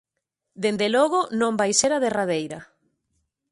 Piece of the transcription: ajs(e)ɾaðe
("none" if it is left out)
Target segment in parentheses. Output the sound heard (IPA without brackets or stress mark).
e